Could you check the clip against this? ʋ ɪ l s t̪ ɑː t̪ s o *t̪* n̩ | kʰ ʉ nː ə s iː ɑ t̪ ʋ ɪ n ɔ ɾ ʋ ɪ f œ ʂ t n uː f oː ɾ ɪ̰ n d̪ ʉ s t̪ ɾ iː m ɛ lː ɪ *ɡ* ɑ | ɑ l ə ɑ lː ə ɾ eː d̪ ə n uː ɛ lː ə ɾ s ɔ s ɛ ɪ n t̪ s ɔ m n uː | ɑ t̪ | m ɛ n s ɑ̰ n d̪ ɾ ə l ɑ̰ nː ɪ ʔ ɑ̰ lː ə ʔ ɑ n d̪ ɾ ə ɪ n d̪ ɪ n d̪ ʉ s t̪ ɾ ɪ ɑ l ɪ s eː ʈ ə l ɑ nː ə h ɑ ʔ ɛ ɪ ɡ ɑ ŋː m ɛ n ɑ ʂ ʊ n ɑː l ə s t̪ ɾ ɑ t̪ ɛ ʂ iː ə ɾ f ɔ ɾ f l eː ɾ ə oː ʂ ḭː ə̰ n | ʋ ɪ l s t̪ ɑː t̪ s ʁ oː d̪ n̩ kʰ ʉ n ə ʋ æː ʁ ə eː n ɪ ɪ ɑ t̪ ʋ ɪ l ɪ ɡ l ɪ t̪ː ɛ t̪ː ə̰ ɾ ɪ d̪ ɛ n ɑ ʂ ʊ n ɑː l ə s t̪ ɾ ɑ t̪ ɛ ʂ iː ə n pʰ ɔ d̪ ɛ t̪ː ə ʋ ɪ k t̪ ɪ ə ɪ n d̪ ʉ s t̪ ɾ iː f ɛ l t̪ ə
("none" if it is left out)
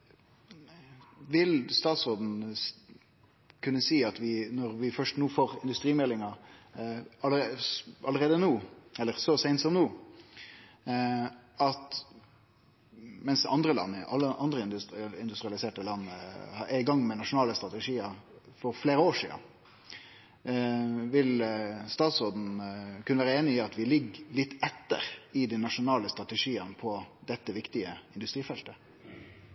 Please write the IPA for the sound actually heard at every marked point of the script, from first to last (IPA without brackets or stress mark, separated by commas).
d̪, ŋ